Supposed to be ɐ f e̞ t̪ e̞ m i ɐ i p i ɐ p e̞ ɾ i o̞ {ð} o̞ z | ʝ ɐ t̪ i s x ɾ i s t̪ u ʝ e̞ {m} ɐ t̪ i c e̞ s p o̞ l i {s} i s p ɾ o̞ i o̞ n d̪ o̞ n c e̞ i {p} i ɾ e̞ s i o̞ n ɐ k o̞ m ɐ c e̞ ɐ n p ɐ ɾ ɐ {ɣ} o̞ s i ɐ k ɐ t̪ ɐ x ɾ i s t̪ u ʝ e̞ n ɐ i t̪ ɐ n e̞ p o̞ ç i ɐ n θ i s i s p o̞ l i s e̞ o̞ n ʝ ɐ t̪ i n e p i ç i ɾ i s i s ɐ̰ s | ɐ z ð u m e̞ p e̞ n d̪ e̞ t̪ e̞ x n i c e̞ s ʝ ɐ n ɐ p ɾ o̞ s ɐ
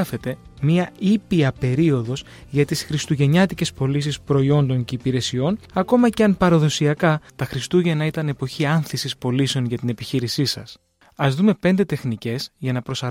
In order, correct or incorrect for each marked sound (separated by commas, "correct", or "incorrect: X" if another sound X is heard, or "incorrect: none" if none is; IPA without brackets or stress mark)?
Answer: correct, incorrect: ɲ, correct, correct, incorrect: ð